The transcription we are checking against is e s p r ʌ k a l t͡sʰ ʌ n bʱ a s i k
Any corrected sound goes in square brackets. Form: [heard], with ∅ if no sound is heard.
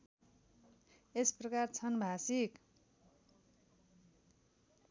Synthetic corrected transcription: e s p r ʌ k a [r] t͡sʰ ʌ n bʱ a s i k